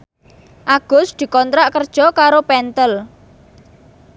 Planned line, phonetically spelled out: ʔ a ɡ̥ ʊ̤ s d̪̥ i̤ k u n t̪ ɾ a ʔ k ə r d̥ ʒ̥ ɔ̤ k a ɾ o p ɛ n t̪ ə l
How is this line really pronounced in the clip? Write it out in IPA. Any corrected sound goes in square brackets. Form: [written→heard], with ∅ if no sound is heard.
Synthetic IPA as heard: ʔ a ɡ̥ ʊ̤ s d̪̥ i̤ k [u→ɔ] n t̪ ɾ a ʔ k ə r d̥ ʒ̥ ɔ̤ k a ɾ o p ɛ n t̪ ə l